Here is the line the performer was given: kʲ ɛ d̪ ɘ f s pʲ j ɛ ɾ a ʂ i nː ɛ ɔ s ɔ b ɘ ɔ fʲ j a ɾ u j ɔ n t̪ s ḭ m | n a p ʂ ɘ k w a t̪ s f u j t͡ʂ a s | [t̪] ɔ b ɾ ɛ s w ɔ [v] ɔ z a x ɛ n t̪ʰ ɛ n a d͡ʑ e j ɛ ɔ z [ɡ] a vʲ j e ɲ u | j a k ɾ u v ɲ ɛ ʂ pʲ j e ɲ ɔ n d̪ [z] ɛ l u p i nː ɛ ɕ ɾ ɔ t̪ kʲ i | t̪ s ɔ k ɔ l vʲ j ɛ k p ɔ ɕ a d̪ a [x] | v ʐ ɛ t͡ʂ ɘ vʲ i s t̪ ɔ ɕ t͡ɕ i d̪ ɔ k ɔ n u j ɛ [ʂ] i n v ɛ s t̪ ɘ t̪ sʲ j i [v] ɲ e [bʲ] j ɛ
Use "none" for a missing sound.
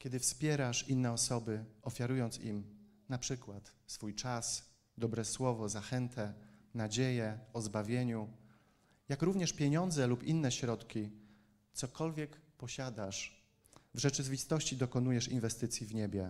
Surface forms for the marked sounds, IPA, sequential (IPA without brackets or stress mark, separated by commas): d̪, v, b, z, ʂ, ʂ, v, bʲ